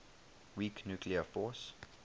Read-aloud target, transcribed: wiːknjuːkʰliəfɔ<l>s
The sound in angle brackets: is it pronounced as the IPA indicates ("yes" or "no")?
no